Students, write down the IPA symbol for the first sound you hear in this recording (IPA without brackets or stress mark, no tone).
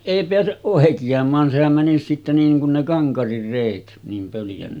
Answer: eˑ